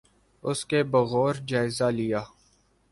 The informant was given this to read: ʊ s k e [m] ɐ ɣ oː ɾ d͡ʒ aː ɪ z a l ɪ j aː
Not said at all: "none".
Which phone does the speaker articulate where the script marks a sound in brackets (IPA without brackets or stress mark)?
b